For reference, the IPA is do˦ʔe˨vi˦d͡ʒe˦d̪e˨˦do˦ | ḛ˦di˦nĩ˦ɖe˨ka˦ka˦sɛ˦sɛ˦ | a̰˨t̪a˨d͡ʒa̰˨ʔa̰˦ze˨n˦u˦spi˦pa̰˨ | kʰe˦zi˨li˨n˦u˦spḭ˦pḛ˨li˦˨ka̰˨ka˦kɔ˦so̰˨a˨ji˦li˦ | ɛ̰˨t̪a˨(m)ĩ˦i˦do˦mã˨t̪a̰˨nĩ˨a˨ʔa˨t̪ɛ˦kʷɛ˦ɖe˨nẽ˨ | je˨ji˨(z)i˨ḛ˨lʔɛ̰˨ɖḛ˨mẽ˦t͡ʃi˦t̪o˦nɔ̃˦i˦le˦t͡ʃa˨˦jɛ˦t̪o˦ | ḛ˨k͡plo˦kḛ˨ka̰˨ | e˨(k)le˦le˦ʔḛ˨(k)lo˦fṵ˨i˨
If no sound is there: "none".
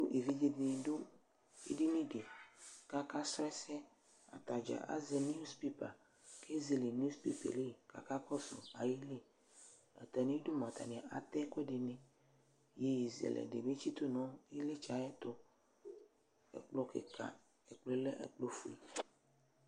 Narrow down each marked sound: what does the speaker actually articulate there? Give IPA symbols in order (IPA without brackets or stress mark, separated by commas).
n, z, k͡p, k͡p